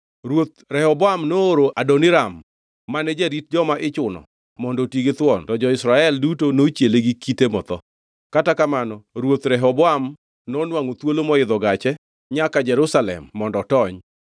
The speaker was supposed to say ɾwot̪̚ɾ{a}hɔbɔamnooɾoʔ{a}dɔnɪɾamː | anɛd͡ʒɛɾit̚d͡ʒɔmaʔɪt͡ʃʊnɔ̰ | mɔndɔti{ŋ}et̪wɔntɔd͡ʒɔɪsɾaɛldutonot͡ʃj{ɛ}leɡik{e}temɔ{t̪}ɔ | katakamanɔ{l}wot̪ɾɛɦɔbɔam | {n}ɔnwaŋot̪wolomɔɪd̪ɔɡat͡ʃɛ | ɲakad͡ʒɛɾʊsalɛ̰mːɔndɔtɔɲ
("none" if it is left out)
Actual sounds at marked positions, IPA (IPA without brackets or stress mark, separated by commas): ɛ, a, ɡ, e, i, t̪, ɾ, n